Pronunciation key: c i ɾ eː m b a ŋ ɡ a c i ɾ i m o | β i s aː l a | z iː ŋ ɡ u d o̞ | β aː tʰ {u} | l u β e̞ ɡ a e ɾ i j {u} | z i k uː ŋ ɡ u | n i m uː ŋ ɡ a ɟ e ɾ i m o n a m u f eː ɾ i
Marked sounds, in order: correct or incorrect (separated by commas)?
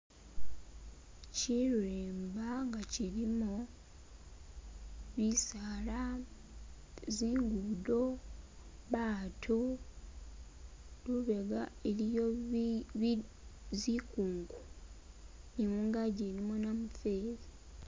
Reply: incorrect, incorrect